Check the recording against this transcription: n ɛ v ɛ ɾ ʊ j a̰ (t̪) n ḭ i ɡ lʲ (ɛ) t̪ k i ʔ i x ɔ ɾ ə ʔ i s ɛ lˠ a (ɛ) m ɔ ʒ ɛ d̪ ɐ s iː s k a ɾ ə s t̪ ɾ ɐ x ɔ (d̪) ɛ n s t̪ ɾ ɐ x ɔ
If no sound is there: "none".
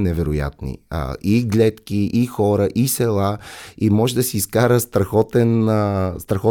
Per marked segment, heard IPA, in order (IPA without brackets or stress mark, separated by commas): t̪, ɛ, i, t̪